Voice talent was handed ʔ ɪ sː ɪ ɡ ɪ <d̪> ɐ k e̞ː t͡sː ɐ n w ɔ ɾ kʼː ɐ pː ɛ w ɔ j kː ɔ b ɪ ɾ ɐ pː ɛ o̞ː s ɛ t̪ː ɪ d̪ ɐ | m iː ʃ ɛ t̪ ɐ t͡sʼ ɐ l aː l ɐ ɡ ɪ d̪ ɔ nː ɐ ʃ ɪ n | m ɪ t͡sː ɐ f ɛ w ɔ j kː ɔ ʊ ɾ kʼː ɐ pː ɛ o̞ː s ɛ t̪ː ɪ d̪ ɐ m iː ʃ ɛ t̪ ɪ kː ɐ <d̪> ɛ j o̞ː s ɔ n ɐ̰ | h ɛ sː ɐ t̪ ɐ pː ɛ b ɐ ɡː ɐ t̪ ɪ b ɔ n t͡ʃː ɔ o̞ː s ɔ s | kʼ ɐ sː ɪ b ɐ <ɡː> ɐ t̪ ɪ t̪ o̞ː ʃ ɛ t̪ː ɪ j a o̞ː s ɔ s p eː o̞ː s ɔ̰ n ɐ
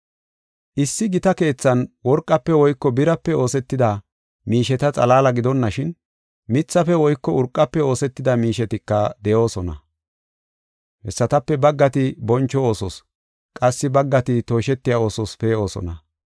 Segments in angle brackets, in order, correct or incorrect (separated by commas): incorrect, correct, correct